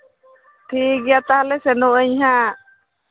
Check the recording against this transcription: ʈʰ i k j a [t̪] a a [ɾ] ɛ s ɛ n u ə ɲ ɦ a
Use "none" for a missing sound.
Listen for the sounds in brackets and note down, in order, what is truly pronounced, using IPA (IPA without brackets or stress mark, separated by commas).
t̪, l